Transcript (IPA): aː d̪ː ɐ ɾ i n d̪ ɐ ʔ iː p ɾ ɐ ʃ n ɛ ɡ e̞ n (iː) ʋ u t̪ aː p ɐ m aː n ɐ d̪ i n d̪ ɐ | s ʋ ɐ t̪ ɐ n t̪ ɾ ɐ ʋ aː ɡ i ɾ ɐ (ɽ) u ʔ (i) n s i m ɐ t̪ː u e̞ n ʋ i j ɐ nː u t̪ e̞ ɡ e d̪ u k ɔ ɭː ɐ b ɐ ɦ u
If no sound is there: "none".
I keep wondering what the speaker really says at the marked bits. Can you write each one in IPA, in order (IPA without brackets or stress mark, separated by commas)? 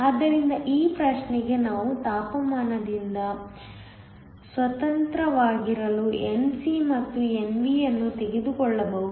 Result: aː, l, e